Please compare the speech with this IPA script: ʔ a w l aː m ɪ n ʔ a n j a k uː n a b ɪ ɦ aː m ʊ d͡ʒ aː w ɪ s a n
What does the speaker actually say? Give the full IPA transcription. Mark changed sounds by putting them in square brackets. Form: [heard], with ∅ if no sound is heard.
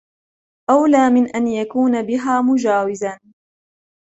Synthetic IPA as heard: ʔ a w l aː m ɪ n ʔ a n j a k uː n a b ɪ ɦ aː m ʊ d͡ʒ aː w ɪ [z] a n